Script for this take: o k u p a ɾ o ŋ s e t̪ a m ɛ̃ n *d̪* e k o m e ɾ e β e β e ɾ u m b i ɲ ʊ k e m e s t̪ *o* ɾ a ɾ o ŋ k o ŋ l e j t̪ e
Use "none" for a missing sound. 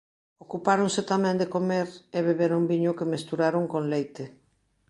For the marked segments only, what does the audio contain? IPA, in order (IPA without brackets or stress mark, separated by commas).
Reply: d̪, u